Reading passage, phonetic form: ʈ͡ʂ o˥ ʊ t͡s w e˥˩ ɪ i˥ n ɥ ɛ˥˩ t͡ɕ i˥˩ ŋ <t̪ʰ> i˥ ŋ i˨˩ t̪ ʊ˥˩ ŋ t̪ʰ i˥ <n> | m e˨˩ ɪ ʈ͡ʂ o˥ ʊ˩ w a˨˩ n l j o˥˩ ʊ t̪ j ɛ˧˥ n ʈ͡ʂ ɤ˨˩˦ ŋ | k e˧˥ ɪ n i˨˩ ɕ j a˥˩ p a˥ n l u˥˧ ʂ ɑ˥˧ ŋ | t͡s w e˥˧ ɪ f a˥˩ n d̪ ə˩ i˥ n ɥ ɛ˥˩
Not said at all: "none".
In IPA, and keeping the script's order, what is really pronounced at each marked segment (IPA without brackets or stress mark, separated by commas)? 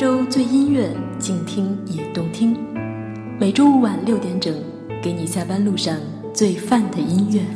t̪ʰ, ŋ